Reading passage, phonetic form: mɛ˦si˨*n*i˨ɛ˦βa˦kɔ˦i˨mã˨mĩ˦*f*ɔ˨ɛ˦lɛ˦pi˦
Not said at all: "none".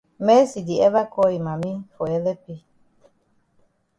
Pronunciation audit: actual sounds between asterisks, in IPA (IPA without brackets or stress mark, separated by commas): d, f